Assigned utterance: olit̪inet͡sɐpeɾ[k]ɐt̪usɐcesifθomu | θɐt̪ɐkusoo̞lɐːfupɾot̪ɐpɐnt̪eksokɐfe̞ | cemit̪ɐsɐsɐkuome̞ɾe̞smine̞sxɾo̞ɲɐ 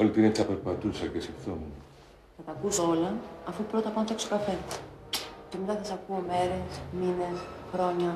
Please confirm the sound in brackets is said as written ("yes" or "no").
no